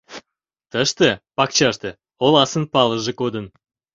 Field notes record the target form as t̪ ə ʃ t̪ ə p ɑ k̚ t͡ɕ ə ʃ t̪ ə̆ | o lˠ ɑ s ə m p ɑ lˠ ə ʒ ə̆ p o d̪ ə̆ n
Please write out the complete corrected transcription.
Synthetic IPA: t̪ ə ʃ t̪ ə p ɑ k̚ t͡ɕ ɑ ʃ t̪ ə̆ | o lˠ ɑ s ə n p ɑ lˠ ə ʒ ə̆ k o d̪ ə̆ n